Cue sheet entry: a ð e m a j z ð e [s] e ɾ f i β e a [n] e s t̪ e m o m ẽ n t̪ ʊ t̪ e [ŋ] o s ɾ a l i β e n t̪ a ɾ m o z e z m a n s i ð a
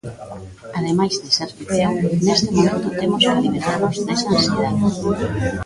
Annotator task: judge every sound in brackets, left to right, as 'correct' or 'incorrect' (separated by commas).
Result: correct, correct, incorrect